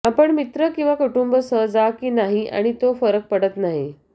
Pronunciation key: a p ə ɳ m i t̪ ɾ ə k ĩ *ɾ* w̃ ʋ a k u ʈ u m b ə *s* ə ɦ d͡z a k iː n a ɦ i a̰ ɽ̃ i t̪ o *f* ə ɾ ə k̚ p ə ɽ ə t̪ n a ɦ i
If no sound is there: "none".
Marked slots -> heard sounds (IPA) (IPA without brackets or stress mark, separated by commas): none, s, f